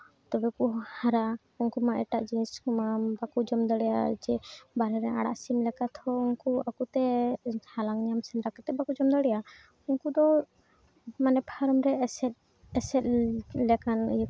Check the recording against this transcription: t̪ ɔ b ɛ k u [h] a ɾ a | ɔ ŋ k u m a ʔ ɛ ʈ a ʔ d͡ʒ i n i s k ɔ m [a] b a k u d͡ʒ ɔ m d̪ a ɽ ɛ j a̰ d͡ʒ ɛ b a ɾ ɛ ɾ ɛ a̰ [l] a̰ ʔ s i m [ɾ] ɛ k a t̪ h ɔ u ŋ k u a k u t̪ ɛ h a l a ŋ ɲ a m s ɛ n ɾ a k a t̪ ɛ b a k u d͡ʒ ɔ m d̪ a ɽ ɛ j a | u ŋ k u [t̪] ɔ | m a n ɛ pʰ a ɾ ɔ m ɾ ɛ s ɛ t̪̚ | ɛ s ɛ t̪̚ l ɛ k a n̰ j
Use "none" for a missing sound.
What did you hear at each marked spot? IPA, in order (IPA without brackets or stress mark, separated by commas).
h, a, ɽ, l, d̪